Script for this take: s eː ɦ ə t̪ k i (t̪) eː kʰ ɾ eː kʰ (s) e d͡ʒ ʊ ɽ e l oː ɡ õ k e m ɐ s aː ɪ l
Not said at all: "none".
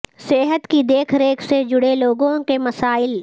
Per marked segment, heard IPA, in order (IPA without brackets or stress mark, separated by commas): d̪, s